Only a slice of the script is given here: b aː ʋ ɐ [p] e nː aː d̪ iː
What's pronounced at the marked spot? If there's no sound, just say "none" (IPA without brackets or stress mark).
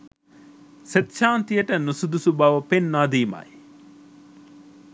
p